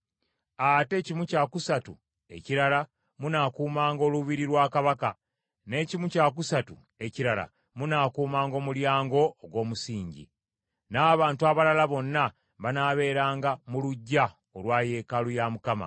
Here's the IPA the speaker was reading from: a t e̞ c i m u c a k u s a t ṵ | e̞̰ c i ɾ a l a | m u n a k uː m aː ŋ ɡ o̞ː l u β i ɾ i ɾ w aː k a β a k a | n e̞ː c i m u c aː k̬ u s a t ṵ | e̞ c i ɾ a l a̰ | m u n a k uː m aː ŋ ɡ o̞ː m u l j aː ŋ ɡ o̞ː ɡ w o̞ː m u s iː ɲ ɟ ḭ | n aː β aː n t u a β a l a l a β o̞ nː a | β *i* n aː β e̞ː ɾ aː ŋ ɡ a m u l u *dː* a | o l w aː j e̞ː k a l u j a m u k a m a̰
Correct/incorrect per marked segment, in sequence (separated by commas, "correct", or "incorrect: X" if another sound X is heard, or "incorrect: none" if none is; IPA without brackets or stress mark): incorrect: a, incorrect: ɟː